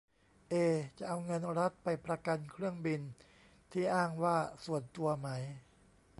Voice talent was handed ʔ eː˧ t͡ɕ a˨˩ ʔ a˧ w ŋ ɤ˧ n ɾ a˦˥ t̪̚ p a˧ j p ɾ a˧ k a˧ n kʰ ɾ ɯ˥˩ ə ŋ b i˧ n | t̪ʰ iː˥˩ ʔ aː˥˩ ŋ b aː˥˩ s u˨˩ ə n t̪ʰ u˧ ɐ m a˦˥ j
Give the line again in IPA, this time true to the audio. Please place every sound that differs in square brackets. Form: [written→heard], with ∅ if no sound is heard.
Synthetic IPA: ʔ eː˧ t͡ɕ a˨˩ ʔ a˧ w ŋ ɤ˧ n ɾ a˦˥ t̪̚ p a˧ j p ɾ a˧ k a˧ n kʰ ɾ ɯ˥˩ ə ŋ b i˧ n | t̪ʰ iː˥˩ ʔ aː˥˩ ŋ [b→w] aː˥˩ s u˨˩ ə n [t̪ʰ→t̪] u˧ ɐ m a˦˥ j